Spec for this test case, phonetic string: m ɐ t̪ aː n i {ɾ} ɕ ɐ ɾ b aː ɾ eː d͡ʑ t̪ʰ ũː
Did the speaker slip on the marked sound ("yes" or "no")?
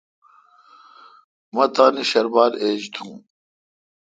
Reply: yes